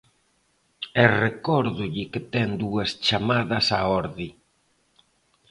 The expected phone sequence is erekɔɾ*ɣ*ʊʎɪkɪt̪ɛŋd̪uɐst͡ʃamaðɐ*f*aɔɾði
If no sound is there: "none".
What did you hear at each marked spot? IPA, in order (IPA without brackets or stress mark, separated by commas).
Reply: ð, s